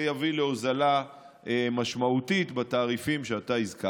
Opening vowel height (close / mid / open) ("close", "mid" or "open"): open